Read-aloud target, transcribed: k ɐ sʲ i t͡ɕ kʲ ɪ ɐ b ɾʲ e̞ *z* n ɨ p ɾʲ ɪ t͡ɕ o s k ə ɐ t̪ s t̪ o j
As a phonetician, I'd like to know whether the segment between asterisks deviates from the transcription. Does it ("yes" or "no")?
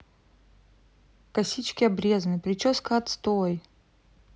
no